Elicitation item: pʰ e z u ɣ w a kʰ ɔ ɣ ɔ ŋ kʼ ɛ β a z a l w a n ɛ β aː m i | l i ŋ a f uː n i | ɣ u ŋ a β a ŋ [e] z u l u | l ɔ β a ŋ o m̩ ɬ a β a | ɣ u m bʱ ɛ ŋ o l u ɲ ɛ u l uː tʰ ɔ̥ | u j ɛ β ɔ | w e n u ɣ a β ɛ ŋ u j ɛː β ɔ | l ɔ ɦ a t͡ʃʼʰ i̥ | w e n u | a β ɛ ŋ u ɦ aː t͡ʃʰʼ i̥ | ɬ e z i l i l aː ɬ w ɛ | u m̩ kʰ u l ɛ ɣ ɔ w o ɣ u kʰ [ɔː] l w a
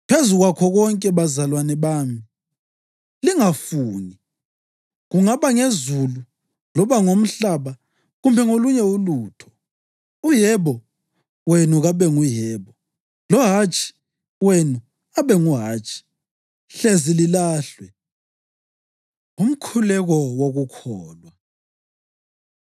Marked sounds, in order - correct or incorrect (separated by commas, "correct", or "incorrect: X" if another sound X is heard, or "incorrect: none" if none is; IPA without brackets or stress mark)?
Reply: correct, correct